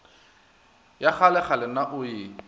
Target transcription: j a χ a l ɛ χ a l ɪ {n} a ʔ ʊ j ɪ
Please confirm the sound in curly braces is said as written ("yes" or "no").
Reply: yes